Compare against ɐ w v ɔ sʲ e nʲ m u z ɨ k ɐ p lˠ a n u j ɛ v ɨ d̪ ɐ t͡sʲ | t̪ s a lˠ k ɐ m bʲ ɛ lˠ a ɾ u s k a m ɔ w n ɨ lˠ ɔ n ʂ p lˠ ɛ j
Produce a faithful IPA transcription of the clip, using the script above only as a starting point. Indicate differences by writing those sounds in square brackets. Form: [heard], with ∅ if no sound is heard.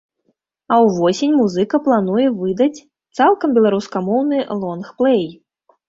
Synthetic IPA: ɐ w v ɔ sʲ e nʲ m u z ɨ k ɐ p lˠ a n u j ɛ v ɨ d̪ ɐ t͡sʲ | t̪ s a lˠ k ɐ m bʲ ɛ lˠ a ɾ u s k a m ɔ w n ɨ lˠ ɔ n [x] p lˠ ɛ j